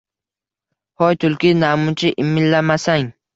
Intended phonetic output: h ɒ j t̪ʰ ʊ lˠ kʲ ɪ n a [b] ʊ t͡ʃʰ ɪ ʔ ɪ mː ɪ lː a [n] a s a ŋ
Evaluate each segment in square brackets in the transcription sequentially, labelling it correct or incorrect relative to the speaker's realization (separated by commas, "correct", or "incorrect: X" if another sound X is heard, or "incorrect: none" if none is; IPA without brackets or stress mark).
incorrect: m, incorrect: m